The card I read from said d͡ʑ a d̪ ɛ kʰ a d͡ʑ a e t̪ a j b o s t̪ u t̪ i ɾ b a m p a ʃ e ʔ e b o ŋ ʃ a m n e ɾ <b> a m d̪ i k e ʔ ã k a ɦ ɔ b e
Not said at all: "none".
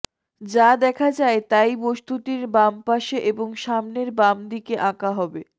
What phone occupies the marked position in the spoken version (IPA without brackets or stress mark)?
b